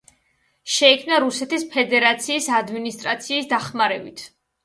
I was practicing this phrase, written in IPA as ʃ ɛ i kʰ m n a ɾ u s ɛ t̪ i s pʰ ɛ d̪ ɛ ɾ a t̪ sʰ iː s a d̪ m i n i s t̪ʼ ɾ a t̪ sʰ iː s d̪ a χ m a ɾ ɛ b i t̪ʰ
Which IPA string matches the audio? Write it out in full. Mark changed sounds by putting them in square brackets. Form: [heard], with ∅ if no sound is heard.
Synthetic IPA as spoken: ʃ ɛ i kʰ m n a ɾ u s ɛ t̪ i s pʰ ɛ d̪ ɛ ɾ a t̪ sʰ iː s a d̪ m i n i s t̪ʼ ɾ a t̪ sʰ iː s d̪ a χ m a ɾ ɛ b i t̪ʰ